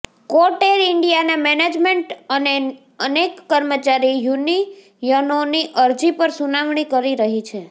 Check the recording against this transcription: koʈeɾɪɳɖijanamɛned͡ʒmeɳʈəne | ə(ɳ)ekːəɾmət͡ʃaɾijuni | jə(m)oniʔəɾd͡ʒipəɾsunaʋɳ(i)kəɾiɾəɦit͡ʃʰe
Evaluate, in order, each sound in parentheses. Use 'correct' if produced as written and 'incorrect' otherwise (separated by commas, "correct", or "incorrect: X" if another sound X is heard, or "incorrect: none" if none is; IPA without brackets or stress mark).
incorrect: n, incorrect: n, correct